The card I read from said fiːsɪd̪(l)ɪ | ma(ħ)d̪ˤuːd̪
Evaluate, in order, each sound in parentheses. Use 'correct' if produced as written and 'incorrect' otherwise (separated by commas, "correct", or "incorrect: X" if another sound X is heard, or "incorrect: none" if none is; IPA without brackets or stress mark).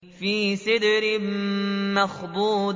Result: incorrect: ɾ, incorrect: x